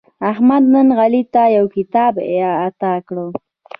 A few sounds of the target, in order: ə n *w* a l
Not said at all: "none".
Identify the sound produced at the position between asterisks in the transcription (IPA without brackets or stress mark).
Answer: ɣ